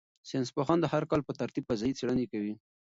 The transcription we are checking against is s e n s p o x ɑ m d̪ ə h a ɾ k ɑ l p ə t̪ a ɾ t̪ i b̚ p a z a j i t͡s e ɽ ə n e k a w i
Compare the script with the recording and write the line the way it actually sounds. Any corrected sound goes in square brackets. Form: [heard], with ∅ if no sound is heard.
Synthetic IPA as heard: s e n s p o x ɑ [n] d̪ ə h a ɾ k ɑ l p ə t̪ a ɾ t̪ i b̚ p a z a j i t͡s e ɽ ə n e k a w i